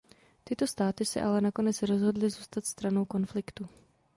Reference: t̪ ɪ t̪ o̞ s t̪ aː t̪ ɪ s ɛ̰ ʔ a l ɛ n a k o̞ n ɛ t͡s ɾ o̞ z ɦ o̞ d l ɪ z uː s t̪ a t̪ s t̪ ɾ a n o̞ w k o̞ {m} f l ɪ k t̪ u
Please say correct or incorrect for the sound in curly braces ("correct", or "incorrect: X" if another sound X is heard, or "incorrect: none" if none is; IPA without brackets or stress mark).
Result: incorrect: n